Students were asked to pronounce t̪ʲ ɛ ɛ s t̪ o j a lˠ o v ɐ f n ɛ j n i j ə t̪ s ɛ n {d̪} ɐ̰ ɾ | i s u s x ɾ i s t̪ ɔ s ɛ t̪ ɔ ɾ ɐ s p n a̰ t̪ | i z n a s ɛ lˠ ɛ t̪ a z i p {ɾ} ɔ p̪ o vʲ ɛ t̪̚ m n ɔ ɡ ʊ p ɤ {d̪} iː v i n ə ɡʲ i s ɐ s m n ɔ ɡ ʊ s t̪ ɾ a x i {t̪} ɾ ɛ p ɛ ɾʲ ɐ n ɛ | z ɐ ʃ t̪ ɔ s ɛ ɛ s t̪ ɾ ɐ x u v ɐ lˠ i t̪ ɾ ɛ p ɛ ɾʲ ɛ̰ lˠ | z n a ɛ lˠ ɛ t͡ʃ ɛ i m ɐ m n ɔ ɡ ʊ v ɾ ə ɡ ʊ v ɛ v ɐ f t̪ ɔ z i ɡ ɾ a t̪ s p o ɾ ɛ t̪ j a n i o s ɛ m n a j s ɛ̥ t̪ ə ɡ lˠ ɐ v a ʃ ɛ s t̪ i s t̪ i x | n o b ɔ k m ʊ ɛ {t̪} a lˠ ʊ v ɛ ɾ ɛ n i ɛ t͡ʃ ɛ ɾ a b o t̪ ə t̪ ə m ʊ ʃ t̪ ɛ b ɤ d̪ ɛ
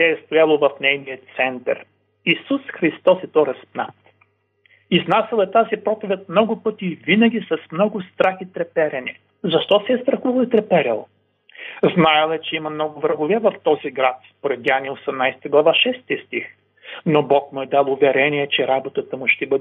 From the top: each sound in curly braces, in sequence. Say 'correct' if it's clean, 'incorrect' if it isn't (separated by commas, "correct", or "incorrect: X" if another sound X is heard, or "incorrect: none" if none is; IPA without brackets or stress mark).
incorrect: t̪, correct, incorrect: t̪, correct, incorrect: d̪